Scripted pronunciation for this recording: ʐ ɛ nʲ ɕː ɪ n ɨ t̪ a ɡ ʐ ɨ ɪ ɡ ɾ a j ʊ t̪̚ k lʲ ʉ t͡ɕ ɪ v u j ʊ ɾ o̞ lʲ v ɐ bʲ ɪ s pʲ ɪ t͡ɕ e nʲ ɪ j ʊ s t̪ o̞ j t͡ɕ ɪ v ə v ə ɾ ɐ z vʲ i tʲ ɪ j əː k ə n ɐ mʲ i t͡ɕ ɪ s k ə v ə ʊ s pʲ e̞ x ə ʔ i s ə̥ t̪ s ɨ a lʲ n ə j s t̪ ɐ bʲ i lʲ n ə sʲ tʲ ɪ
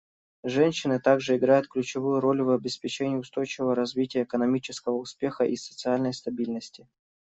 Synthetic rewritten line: ʐ ɛ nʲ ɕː ɪ n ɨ t̪ a ɡ ʐ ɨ ɪ ɡ ɾ a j ʊ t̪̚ k lʲ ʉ t͡ɕ ɪ v u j ʊ ɾ o̞ lʲ v ɐ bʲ ɪ s pʲ ɪ t͡ɕ e nʲ ɪ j ʊ s t̪ o̞ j t͡ɕ ɪ v ə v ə ɾ ɐ z vʲ i tʲ ɪ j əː k ə n ɐ mʲ i t͡ɕ ɪ s k ə v ə ʊ s pʲ e̞ x ə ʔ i s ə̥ t̪ s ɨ a lʲ n ə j s t̪ ɐ bʲ i lʲ n ə sʲ tʲ ɪ